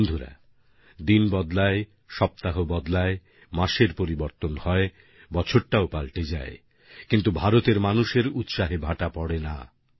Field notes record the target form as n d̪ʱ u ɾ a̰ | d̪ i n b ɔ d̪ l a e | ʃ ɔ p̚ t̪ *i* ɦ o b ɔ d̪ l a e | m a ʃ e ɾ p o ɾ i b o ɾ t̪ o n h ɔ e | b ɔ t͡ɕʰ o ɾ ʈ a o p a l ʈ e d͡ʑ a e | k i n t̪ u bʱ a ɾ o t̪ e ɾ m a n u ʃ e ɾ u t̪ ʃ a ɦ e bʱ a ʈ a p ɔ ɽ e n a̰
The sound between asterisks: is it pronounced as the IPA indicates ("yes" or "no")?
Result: no